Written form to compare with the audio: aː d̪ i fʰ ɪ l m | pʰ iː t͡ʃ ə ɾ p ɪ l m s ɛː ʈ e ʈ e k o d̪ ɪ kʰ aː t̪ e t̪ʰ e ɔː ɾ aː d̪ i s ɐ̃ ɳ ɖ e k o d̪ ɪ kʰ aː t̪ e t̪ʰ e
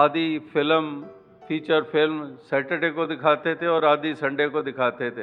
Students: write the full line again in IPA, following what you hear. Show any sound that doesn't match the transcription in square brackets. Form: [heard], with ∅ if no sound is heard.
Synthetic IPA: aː d̪ i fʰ ɪ l m | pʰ iː t͡ʃ ə ɾ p ɪ l m s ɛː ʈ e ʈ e k o d̪ ɪ kʰ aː t̪ e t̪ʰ e ɔː ɾ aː d̪ i s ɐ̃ ɳ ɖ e k o d̪ ɪ kʰ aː t̪ e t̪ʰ e